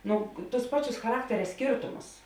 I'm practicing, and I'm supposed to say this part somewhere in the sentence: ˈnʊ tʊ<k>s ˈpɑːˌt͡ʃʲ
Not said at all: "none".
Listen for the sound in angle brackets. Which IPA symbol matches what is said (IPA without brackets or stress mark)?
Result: none